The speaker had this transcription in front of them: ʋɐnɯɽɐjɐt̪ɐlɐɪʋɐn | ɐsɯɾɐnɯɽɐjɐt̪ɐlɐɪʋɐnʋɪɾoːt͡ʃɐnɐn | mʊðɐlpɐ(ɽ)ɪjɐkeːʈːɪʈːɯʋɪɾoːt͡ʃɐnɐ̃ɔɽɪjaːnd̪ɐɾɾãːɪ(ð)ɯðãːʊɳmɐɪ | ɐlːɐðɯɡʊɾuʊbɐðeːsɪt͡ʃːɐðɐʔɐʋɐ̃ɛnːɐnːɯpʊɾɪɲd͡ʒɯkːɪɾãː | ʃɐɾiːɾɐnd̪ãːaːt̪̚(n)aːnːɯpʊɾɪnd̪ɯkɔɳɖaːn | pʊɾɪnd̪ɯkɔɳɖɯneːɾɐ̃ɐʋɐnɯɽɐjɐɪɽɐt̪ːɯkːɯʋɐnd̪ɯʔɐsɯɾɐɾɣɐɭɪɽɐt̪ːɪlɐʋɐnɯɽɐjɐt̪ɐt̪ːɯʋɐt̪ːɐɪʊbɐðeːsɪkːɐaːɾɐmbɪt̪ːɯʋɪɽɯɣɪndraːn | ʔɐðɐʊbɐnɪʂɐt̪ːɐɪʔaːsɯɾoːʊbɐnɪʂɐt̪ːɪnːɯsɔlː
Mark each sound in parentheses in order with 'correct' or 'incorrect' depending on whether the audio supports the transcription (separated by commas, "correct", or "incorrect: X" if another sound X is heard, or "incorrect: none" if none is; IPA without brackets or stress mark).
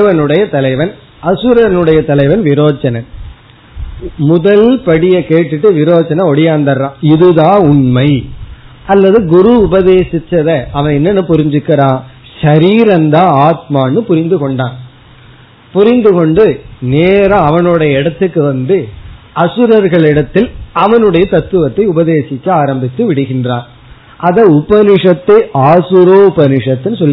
correct, correct, incorrect: m